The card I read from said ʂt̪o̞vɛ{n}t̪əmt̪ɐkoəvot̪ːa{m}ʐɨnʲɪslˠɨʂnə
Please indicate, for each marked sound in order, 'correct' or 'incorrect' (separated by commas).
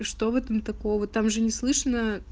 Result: incorrect, correct